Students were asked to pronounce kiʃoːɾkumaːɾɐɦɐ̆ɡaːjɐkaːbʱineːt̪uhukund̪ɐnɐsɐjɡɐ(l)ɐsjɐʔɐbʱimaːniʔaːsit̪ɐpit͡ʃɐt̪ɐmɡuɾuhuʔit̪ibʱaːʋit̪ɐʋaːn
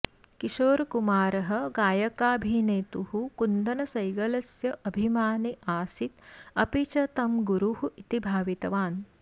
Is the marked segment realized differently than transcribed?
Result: no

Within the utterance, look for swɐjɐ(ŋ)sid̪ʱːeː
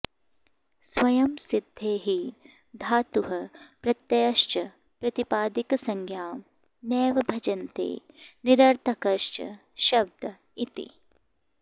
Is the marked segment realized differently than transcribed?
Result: yes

